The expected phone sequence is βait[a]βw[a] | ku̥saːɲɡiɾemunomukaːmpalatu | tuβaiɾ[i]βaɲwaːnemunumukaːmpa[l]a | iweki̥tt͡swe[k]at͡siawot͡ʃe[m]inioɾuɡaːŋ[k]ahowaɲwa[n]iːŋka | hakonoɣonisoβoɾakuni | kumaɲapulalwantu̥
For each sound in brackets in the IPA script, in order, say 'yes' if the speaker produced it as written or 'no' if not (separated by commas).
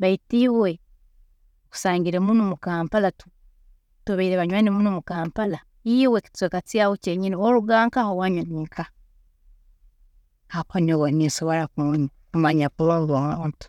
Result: no, no, no, yes, yes, no, yes, yes